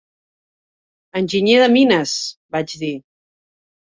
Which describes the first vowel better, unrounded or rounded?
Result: unrounded